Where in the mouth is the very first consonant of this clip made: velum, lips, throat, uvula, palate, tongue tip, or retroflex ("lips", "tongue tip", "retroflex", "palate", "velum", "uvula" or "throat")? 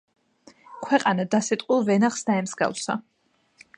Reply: velum